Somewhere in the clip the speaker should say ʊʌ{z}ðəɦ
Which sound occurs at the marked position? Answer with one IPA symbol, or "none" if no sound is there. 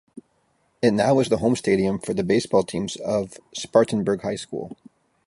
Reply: z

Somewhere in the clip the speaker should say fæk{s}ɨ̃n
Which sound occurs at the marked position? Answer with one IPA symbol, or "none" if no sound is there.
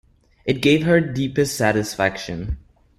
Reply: ʃ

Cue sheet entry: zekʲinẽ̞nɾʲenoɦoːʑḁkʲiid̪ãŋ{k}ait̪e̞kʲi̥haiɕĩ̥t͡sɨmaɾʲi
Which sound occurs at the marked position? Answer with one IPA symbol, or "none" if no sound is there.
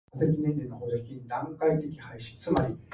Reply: k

